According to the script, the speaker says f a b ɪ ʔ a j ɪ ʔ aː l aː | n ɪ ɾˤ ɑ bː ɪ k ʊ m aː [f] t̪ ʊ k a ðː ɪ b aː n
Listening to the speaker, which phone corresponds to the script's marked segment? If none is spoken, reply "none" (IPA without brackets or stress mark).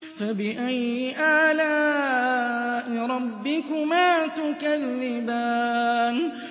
none